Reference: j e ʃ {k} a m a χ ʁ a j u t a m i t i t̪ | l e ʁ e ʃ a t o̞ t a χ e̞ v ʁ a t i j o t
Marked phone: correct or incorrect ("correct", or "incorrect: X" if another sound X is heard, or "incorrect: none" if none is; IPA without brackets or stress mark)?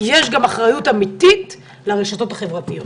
incorrect: ɡ